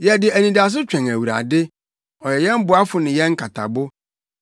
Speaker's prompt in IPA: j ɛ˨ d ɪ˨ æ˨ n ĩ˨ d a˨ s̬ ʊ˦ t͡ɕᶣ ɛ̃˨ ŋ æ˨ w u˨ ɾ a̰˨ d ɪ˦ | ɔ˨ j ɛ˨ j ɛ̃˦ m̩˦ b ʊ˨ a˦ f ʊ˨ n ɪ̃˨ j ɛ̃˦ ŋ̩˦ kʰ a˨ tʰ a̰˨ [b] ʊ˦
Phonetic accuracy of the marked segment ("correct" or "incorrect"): correct